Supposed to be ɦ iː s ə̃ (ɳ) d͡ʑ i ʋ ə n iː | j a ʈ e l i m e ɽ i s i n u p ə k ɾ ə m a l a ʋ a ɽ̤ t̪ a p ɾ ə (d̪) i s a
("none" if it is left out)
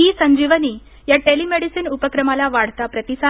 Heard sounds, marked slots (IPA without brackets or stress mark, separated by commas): ɲ, t̪